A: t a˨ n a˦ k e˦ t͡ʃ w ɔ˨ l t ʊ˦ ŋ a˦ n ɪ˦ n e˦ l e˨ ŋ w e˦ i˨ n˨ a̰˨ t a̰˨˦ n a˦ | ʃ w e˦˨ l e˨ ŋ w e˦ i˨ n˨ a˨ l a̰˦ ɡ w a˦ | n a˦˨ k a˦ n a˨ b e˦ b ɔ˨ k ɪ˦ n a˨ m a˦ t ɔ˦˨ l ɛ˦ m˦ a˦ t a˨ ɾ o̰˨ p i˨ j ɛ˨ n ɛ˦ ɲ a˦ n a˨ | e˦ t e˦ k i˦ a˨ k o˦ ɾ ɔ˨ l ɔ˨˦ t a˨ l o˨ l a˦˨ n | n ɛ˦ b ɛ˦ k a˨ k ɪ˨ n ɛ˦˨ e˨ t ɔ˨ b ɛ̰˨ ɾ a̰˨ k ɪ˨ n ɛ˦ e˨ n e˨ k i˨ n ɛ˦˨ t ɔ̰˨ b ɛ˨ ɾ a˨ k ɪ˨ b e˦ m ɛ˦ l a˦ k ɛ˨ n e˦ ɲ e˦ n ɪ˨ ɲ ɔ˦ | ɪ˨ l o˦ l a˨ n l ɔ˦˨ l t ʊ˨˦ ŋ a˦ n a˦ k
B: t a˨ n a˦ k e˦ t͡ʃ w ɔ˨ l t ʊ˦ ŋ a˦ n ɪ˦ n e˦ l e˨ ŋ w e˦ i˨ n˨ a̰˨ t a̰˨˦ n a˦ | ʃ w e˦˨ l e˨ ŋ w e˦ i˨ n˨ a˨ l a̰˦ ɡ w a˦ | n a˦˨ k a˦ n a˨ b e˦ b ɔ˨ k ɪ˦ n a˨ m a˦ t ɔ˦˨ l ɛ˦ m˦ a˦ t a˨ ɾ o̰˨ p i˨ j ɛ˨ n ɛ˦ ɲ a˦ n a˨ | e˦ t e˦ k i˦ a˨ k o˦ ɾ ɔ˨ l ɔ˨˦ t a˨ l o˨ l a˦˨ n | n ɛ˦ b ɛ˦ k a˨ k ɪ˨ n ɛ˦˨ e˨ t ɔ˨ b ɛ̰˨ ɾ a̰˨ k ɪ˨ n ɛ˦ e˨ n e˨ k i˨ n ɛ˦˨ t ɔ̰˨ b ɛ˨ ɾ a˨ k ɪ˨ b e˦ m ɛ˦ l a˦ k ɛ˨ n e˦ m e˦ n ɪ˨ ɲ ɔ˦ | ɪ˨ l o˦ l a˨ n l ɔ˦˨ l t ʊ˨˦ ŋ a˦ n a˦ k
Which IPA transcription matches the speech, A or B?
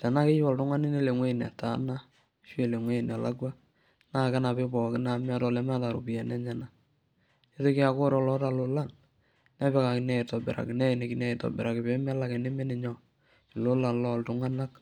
B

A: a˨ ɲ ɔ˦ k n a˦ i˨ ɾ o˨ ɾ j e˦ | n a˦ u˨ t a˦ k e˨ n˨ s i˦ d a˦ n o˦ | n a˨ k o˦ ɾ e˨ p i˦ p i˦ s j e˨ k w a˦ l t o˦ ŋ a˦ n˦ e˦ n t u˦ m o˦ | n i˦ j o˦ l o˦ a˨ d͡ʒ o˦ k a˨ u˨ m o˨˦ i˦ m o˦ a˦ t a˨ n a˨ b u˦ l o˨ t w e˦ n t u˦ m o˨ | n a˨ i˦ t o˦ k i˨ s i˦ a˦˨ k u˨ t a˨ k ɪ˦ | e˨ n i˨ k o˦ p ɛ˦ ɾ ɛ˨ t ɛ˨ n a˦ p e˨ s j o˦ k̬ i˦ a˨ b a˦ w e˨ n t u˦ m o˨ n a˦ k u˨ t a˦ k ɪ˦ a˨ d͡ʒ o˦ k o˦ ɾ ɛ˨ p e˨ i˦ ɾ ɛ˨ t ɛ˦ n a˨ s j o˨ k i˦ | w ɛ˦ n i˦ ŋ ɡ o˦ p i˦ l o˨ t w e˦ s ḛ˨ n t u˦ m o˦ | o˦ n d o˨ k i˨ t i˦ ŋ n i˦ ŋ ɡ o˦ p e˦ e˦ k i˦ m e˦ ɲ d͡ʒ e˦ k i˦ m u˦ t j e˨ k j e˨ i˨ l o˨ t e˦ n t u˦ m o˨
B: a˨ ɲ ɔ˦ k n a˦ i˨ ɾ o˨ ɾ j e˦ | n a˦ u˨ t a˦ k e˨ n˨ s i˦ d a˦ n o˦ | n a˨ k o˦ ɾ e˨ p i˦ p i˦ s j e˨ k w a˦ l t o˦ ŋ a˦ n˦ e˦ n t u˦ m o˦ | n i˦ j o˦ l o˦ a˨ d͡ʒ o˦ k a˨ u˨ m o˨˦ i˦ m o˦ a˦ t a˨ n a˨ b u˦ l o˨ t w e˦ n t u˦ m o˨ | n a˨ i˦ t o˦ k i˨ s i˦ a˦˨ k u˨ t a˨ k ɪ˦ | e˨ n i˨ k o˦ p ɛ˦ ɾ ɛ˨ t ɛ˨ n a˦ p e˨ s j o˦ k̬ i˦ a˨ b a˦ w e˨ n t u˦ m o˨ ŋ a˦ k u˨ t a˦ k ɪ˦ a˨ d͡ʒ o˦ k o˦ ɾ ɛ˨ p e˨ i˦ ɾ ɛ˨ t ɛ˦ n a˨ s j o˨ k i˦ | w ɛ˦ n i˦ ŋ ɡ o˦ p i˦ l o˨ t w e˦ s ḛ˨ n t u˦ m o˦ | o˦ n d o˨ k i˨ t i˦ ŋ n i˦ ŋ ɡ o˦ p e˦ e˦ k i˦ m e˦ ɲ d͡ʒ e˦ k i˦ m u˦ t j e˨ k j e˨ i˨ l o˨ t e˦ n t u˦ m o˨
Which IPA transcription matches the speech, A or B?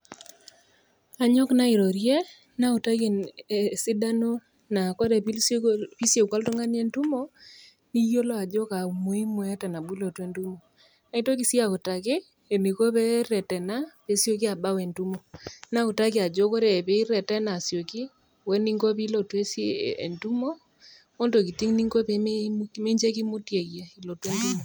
A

